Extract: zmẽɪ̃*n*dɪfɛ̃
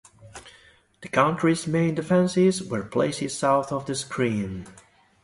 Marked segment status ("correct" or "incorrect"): correct